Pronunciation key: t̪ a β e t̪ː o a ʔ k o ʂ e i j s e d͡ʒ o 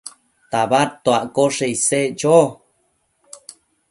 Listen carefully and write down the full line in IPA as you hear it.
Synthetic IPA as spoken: t̪ a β a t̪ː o a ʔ k o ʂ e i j s e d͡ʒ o